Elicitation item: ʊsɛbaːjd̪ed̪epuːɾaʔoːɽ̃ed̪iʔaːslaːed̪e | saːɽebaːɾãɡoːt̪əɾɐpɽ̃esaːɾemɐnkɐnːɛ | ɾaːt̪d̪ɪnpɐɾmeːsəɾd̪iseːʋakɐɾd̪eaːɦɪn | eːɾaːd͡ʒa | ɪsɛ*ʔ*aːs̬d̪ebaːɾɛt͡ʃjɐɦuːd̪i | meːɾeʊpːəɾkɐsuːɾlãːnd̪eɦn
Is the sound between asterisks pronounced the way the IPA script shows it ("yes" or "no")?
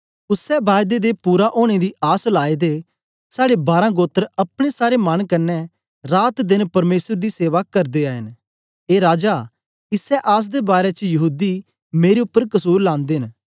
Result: yes